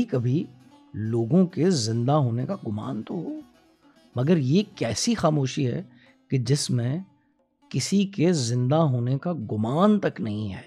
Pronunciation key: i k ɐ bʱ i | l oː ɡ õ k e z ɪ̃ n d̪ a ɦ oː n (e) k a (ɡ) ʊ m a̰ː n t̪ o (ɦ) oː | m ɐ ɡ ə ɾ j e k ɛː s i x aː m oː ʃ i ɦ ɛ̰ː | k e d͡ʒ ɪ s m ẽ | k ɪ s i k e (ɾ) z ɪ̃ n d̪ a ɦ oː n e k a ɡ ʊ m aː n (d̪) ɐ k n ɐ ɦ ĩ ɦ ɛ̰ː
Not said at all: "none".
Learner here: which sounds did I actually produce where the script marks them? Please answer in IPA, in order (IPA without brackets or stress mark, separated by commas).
e, ɡ, ɦ, none, t̪